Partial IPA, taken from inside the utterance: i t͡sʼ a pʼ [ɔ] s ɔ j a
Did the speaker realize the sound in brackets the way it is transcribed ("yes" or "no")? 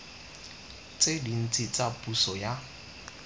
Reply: no